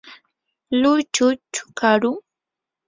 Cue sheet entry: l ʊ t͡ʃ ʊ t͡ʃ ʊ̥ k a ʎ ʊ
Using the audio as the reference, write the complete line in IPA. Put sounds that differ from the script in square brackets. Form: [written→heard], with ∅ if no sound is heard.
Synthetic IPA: l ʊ t͡ʃ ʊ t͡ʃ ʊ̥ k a [ʎ→ɾ] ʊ